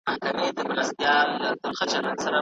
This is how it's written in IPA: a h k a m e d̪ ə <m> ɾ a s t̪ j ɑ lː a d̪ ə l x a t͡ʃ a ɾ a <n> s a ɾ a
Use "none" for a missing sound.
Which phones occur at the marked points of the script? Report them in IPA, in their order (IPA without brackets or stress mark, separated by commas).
m, n